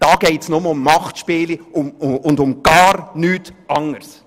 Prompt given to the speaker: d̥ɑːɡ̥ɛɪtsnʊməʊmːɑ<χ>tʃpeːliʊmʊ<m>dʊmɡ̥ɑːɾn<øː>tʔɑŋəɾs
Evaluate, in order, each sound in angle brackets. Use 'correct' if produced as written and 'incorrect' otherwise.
correct, incorrect: n, incorrect: yː

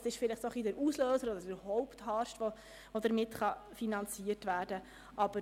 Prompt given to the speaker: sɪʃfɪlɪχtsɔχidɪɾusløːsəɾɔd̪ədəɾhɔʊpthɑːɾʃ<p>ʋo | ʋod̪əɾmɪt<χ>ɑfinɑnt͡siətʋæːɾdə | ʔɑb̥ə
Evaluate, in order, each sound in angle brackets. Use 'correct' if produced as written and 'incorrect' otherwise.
incorrect: t, correct

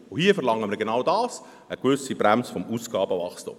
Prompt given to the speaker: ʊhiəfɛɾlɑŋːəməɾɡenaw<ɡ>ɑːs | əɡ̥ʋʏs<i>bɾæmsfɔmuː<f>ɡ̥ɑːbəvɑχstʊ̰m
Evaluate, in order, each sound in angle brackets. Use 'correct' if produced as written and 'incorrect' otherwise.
incorrect: d, correct, incorrect: s

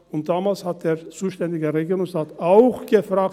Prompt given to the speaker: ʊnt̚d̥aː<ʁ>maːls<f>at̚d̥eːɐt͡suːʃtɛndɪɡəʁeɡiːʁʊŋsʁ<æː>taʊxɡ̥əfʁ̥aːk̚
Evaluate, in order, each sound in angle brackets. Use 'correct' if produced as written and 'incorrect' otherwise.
incorrect: none, incorrect: h, incorrect: aː

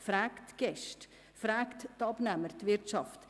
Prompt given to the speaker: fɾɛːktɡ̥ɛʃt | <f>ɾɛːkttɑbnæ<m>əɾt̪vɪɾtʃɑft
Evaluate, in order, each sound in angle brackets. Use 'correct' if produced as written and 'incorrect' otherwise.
correct, correct

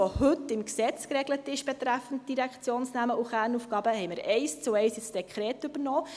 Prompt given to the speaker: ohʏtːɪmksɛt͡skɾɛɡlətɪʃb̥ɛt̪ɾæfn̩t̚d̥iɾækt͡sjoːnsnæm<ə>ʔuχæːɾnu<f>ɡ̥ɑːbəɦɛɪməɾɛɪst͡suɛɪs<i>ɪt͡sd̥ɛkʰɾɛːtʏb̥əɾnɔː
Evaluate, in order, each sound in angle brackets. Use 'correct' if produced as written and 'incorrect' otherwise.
correct, correct, incorrect: j

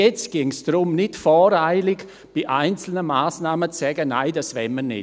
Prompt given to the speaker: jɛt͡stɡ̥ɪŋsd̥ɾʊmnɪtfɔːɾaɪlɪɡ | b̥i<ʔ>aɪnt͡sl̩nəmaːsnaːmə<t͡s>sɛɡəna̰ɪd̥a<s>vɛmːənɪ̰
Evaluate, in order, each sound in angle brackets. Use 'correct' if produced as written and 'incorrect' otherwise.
correct, correct, correct

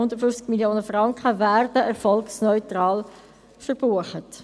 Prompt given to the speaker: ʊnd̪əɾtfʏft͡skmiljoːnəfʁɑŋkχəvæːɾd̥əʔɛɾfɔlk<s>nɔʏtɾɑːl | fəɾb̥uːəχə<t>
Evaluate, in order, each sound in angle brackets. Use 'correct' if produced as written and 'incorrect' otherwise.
correct, correct

